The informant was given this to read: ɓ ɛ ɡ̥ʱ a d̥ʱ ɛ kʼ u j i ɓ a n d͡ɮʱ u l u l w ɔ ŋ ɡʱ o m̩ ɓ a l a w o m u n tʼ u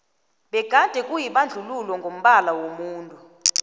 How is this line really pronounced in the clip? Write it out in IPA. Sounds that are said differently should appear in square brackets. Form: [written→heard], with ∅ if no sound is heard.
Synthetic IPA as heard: ɓ ɛ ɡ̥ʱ a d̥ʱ ɛ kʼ u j i ɓ a n d͡ɮʱ u l u l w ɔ ŋ ɡʱ o m̩ ɓ a l a w o m [u→uː] n tʼ u